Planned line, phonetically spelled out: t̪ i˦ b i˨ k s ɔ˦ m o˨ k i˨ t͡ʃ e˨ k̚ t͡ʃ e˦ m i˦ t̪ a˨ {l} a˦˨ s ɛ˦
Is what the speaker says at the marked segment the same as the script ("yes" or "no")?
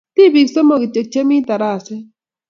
no